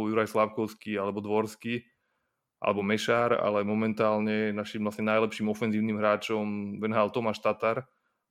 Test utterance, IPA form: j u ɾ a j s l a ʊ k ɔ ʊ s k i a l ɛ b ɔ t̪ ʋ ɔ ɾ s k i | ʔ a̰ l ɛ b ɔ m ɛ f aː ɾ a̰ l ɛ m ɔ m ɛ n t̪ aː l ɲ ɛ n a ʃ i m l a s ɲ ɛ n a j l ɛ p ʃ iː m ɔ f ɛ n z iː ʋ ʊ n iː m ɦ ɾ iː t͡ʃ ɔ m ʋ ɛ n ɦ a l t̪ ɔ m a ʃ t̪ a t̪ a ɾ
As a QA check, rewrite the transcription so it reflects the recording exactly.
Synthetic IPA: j u ɾ a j s l a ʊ k ɔ ʊ s k i a l ɛ b ɔ d̪ ʋ ɔ ɾ s k i | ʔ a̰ l ɛ b ɔ m ɛ ʃ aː ɾ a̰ l ɛ m ɔ m ɛ n t̪ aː l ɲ ɛ n a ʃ i m l a s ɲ ɛ n a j l ɛ p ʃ iː m ɔ f ɛ n z iː ʊ n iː m ɦ ɾ aː t͡ʃ ɔ m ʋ ɛ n ɦ a l t̪ ɔ m a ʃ t̪ a t̪ a ɾ